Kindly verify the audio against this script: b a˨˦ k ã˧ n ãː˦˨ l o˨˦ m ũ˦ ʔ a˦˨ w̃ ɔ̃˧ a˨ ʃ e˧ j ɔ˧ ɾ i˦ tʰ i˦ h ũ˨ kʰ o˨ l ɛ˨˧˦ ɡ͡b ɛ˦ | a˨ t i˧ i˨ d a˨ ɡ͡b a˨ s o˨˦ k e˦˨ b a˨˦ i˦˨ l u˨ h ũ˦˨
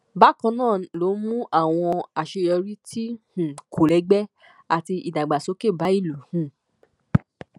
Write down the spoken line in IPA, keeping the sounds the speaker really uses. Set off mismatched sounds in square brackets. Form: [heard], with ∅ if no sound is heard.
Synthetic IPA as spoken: b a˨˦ k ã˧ n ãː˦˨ l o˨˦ m ũ˦ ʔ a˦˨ w̃ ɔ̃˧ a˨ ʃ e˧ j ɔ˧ ɾ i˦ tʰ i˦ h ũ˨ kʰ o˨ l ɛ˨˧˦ ɡ͡b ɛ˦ | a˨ t i˧ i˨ d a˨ ɡ͡b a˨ s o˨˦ k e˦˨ b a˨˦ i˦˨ l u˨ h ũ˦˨